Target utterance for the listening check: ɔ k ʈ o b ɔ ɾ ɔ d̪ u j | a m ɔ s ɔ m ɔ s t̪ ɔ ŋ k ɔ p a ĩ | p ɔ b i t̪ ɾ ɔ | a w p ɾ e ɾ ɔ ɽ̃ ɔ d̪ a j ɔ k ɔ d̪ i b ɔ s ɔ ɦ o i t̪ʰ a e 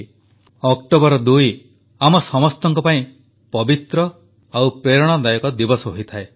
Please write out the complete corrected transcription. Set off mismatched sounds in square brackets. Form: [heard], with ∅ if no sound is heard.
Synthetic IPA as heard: ɔ k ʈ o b ɔ ɾ ɔ d̪ u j | a m ɔ s ɔ m ɔ s t̪ ɔ ŋ k ɔ p a ĩ | p ɔ b i t̪ ɾ ɔ | a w p ɾ e ɾ ɔ ɽ̃ ɔ d̪ a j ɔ k ɔ d̪ i b ɔ s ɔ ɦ o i t̪ʰ a e